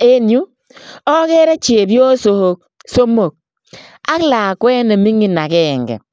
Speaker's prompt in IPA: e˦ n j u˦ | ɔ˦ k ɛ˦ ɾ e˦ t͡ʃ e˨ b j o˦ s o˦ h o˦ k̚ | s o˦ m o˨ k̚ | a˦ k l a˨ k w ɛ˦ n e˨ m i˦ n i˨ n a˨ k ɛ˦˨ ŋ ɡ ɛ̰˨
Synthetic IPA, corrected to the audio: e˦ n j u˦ | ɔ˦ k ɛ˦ ɾ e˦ t͡ʃ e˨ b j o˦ s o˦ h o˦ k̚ | s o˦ m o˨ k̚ | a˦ k l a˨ k w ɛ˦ n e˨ m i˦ ŋ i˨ n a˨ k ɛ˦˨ ŋ ɡ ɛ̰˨